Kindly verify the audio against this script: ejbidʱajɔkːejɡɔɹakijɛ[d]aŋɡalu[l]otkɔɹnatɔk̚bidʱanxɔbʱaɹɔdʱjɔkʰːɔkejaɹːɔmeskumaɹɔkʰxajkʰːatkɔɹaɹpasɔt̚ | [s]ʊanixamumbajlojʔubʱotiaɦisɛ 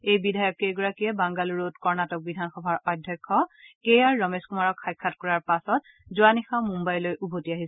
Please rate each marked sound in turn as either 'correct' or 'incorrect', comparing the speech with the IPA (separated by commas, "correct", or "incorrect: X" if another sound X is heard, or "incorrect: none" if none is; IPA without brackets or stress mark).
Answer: incorrect: b, incorrect: ɹ, incorrect: z